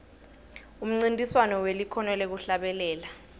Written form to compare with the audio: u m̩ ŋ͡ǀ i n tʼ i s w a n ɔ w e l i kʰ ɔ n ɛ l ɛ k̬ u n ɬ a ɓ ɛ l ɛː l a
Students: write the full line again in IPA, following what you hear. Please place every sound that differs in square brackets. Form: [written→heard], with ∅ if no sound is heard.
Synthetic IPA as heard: u m̩ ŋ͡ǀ i n tʼ i s w a n ɔ w e l i kʰ ɔ n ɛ l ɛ k̬ u [n→∅] ɬ a ɓ ɛ l ɛː l a